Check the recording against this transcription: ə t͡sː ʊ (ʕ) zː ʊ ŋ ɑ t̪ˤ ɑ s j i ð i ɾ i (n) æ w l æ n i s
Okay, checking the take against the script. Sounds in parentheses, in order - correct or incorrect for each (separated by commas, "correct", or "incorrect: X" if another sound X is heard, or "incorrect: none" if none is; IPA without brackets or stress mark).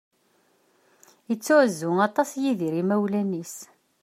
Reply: correct, incorrect: m